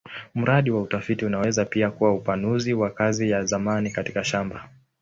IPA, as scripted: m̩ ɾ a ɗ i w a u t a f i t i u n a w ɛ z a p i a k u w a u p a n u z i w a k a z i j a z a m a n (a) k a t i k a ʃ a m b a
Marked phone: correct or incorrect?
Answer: incorrect